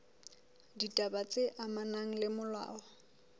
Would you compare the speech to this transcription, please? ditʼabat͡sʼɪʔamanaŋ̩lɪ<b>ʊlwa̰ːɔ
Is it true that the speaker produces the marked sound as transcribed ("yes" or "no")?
no